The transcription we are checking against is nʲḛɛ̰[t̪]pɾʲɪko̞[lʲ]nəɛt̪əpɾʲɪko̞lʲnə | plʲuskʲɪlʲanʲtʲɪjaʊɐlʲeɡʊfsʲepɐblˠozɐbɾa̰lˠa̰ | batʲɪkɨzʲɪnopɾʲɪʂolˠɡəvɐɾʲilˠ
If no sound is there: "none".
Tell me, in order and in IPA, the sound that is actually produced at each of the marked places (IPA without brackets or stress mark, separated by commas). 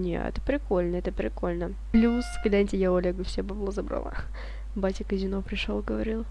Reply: t̪, lʲ